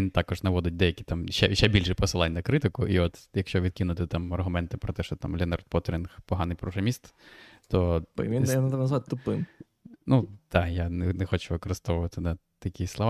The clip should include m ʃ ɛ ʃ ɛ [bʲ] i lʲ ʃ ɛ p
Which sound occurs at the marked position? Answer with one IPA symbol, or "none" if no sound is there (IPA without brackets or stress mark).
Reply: bʲ